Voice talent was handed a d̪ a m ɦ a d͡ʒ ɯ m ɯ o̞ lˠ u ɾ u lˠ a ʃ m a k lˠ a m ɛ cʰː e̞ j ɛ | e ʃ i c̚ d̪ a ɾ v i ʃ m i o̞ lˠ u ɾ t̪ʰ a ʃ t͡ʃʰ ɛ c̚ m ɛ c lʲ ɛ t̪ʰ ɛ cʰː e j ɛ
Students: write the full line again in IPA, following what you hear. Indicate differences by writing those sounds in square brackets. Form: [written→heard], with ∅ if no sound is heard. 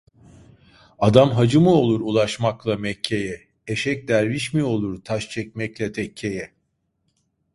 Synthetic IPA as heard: a d̪ a m ɦ a d͡ʒ ɯ m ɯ o̞ lˠ u ɾ u lˠ a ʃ m a k lˠ a m ɛ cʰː e̞ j ɛ | e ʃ [i→ɛ] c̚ d̪ [a→æ] ɾ v i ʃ m i o̞ lˠ u ɾ t̪ʰ a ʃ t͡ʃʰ ɛ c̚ m ɛ c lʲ ɛ t̪ʰ ɛ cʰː e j ɛ